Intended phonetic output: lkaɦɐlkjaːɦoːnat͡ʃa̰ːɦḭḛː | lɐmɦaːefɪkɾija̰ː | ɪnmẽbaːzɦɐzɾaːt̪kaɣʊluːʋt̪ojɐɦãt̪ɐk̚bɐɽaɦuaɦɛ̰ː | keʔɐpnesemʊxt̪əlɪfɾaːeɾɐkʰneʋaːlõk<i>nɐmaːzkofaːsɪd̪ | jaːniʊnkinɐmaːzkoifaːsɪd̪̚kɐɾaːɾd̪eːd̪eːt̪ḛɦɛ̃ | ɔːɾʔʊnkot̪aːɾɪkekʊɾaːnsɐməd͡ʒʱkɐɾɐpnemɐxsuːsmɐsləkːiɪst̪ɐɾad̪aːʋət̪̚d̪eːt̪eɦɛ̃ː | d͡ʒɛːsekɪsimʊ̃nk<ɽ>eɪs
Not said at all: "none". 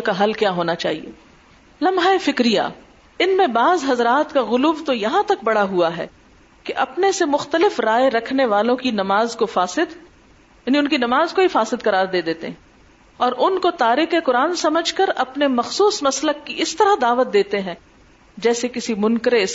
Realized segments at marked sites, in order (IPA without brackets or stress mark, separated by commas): i, ɾ